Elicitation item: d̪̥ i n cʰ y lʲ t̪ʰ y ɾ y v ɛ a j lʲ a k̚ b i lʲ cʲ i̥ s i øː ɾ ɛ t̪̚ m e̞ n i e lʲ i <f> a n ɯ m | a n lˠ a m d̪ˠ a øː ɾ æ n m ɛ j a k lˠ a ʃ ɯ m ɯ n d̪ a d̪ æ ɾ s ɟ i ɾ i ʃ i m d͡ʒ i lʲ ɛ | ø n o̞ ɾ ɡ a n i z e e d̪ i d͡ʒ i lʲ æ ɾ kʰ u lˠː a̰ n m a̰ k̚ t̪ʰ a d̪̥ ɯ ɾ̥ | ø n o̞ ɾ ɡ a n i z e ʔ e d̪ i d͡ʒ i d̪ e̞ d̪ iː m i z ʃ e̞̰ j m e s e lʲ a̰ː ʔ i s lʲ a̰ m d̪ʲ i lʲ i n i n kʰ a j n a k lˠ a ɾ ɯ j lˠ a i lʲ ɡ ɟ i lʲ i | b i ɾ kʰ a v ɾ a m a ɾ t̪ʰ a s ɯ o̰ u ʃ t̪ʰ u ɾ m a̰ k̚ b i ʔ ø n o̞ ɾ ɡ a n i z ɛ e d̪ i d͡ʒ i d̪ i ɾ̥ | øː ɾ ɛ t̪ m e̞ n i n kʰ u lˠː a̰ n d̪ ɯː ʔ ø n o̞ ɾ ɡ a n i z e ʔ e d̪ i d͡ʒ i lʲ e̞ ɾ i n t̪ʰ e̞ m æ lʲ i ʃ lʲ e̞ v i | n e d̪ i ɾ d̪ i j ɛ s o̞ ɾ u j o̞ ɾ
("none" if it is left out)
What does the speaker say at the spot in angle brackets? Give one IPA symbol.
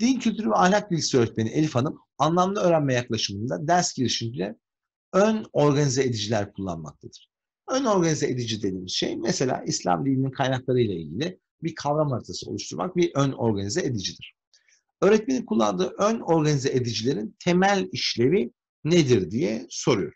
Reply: f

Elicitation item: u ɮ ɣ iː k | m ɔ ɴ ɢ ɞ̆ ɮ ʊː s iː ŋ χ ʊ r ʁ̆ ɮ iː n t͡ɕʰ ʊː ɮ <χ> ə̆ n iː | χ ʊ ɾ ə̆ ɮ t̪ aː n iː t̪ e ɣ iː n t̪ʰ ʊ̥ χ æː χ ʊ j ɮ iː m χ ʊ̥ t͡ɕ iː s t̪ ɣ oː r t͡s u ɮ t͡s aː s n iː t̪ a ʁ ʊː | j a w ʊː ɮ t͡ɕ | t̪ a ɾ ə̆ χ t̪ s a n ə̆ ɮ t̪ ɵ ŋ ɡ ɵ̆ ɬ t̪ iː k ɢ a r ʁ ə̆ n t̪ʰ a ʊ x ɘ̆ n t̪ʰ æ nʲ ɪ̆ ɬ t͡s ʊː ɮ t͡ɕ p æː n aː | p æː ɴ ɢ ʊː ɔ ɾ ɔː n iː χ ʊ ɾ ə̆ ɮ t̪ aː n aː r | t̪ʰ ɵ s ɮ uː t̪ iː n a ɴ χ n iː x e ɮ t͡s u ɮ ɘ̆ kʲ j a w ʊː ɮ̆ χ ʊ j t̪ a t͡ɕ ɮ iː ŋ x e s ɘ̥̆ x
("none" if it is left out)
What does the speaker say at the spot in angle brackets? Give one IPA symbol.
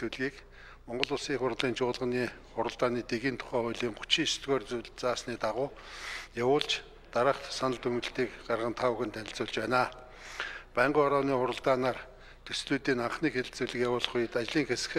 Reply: ʁ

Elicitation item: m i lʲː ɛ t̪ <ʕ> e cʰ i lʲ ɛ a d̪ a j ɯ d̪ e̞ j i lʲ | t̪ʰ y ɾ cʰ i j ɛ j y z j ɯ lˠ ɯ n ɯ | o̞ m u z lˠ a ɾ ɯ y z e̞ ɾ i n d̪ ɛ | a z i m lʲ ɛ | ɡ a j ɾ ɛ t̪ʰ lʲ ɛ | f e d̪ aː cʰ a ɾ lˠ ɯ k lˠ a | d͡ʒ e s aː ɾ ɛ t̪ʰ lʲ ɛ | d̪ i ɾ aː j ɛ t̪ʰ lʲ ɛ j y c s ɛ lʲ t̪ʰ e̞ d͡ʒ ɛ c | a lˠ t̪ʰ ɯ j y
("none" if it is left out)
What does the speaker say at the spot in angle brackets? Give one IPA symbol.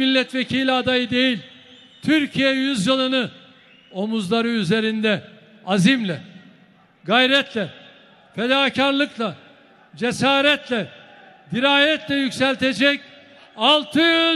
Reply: v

